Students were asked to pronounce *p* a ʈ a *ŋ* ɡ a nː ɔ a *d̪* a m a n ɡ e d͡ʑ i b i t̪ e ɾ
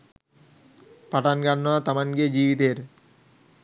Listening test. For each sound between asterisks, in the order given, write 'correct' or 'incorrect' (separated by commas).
correct, incorrect, incorrect